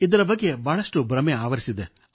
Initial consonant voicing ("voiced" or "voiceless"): voiced